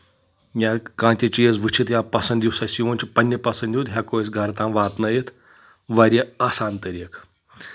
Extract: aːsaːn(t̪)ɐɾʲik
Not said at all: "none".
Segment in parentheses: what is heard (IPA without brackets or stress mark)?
t̪